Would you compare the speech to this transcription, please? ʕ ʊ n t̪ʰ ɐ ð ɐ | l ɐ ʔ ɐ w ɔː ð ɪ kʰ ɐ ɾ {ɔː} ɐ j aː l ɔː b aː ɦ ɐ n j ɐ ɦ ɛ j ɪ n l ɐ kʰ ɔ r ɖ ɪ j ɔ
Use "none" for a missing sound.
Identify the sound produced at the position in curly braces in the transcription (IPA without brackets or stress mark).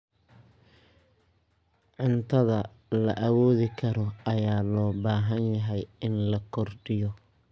ɔ